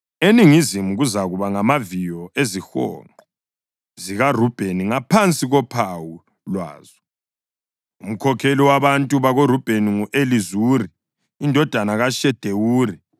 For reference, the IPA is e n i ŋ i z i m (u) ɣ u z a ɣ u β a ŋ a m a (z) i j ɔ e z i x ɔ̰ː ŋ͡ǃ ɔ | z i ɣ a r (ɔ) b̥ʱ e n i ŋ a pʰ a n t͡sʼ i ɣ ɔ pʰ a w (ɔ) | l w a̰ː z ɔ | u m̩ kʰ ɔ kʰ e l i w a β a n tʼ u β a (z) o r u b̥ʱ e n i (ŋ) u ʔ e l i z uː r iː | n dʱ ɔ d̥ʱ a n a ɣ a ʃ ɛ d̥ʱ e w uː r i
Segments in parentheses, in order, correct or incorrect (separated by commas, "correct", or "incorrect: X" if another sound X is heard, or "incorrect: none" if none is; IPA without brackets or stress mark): correct, incorrect: v, incorrect: u, incorrect: u, incorrect: ɣ, correct